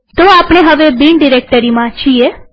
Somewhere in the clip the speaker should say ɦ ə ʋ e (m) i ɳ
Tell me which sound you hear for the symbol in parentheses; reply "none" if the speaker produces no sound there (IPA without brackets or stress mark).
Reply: b